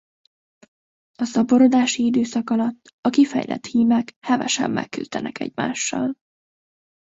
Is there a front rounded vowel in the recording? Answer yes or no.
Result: yes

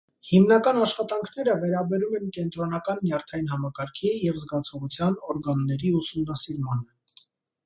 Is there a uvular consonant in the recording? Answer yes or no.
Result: yes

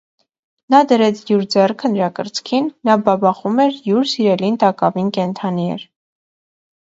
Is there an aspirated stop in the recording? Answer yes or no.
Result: yes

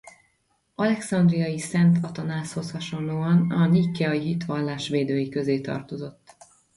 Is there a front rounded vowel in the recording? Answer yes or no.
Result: yes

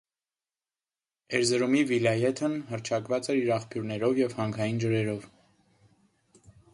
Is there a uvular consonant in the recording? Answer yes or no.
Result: yes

